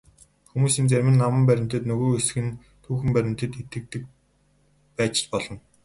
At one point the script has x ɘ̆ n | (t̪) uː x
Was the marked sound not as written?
yes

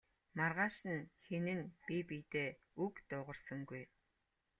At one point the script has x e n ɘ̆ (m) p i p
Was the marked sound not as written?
yes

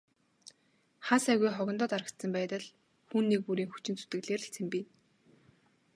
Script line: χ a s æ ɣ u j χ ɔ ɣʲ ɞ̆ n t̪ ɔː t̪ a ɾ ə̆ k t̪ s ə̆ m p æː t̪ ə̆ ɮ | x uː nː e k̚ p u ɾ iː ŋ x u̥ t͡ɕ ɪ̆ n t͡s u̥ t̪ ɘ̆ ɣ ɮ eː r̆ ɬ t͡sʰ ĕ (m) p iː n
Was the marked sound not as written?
no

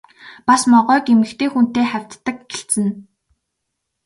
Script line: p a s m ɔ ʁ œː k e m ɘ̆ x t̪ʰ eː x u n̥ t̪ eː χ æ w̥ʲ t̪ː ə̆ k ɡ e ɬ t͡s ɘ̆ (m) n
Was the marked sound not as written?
yes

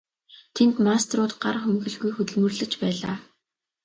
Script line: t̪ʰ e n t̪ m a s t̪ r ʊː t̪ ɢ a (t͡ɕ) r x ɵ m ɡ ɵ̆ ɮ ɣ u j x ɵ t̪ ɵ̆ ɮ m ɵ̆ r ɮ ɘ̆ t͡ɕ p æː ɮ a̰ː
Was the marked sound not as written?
yes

